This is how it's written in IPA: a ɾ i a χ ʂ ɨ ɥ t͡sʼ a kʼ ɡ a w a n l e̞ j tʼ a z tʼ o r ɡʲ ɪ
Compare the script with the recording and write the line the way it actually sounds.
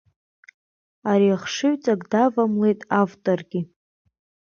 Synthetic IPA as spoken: a ɾ i a χ ʂ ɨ ɥ t͡sʼ a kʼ d a v a m l e̞ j tʼ a v tʼ o r ɡʲ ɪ